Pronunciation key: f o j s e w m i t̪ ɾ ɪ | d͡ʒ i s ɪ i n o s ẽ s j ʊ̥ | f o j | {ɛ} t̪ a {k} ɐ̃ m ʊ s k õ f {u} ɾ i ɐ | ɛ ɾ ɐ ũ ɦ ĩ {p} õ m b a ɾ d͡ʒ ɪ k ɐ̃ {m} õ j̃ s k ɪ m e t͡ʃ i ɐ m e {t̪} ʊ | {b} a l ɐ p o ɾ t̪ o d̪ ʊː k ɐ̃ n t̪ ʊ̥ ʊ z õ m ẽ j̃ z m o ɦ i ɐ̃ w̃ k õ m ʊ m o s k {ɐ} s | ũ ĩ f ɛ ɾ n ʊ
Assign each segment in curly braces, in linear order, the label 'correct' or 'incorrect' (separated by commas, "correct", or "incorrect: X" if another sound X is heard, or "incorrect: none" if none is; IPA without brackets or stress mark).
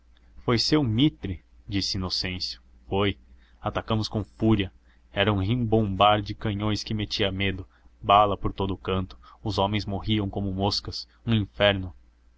incorrect: a, correct, correct, incorrect: b, incorrect: ɲ, incorrect: d̪, correct, correct